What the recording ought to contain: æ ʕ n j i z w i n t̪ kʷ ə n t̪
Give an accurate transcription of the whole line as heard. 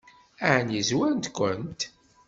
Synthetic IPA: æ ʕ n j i z w æ n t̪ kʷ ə n t̪